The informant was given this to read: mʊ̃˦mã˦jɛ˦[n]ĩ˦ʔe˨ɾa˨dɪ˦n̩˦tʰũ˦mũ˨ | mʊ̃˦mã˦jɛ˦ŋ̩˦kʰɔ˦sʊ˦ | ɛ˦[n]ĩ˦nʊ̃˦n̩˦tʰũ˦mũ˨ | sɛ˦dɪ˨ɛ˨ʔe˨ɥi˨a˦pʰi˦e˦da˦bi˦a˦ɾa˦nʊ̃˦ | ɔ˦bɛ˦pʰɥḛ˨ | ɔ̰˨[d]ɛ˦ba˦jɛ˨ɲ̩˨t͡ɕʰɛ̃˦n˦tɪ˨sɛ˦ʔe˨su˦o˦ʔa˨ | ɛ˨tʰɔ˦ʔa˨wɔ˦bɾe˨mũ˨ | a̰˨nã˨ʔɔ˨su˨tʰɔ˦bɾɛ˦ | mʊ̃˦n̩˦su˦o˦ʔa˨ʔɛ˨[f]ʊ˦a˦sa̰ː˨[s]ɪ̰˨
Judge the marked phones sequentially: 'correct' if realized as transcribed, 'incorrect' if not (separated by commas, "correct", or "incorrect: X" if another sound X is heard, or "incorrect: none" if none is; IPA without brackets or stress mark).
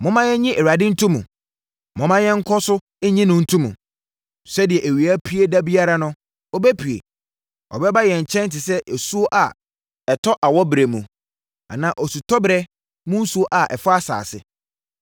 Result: incorrect: ɲ, incorrect: ɲ, incorrect: b, correct, correct